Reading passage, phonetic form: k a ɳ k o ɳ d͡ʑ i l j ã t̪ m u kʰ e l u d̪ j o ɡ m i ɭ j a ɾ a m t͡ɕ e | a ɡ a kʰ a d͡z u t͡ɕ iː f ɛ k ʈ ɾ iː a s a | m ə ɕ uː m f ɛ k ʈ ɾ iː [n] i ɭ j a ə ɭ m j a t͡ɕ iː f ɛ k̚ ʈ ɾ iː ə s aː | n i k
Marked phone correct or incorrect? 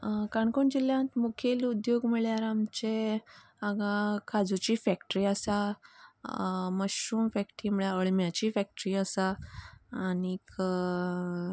incorrect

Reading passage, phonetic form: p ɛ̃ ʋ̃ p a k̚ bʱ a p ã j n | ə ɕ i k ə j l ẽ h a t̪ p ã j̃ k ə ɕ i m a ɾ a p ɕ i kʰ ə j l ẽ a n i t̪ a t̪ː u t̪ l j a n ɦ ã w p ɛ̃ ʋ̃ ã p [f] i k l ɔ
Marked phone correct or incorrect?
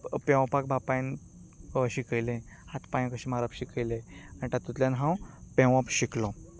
incorrect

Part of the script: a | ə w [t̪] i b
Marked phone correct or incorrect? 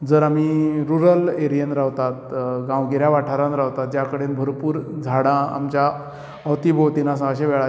correct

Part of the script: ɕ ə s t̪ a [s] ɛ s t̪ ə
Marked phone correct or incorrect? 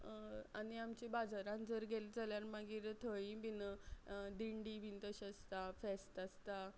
incorrect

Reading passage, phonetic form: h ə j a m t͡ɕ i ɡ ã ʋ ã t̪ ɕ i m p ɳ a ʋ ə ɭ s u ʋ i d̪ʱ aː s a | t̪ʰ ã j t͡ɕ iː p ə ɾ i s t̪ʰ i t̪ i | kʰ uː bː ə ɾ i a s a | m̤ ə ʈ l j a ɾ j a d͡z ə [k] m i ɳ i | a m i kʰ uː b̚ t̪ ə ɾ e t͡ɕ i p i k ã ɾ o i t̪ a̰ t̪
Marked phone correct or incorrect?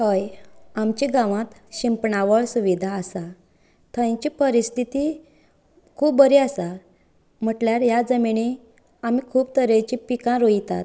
incorrect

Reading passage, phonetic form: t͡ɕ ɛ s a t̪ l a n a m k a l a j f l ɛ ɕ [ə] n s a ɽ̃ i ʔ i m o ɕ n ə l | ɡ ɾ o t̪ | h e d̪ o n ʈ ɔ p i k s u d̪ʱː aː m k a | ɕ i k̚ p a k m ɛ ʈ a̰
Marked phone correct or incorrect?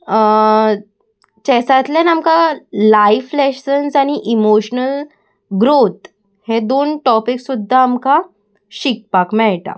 correct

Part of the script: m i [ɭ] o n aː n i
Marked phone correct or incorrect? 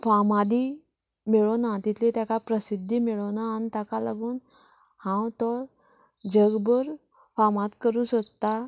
correct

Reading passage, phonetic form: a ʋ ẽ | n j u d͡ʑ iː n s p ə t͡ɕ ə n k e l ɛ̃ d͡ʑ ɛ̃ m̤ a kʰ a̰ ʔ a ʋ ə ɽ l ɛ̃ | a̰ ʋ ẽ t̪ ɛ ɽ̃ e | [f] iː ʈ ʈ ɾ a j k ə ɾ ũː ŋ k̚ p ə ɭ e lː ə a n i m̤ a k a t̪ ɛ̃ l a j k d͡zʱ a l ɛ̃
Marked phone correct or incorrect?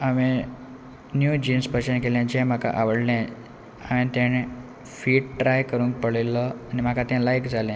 correct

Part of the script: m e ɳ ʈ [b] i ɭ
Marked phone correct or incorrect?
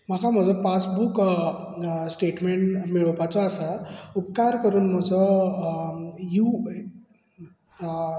incorrect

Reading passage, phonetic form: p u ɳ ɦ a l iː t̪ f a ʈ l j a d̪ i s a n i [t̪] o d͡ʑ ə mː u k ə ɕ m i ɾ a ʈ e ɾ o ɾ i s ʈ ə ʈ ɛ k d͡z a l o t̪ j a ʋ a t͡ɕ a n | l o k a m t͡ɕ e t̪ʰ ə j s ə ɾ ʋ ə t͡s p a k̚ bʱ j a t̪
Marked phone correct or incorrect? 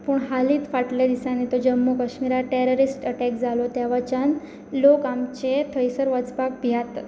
correct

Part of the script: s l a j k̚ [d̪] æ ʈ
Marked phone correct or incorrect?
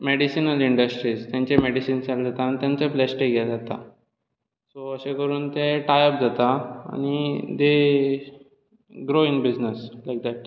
correct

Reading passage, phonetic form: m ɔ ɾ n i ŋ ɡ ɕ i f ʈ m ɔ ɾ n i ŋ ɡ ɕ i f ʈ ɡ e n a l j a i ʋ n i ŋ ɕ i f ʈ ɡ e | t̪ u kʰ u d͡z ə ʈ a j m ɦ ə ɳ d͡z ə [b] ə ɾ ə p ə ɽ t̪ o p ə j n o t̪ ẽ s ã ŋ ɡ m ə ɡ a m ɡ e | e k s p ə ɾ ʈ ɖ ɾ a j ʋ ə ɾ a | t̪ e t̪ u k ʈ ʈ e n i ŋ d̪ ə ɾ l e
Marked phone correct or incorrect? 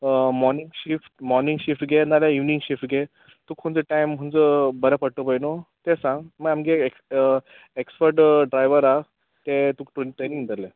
correct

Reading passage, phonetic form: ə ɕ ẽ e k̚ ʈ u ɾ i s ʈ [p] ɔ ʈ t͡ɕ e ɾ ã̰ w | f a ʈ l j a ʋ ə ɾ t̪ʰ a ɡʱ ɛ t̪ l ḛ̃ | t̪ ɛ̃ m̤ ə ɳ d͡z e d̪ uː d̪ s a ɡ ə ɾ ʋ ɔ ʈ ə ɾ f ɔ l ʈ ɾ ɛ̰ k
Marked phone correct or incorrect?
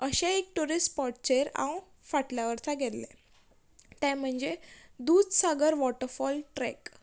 correct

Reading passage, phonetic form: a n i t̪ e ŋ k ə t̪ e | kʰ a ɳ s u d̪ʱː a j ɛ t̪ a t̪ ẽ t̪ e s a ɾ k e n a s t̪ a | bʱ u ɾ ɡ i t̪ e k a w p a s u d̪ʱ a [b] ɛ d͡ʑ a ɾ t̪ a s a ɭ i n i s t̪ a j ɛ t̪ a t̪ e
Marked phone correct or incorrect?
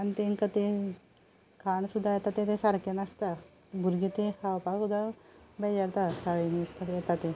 correct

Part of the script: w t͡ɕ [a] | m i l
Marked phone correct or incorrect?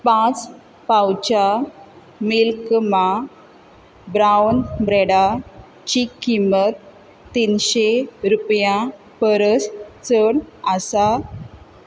correct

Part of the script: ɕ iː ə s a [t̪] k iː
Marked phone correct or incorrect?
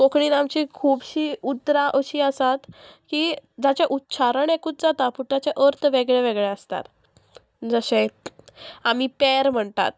correct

